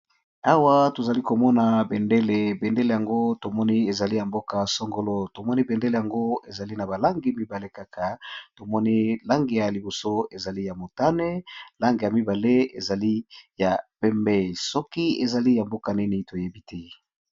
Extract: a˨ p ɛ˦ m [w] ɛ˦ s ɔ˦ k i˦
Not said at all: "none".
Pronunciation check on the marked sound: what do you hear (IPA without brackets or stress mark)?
b